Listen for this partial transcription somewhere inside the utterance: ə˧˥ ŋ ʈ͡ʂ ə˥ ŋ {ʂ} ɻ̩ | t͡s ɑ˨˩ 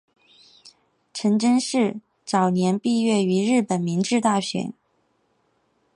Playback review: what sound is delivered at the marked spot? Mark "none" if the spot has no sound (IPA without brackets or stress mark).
ʂ